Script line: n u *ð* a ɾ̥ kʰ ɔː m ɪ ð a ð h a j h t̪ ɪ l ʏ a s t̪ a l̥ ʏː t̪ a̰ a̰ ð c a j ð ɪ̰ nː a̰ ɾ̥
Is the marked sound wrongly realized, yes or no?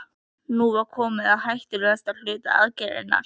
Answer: yes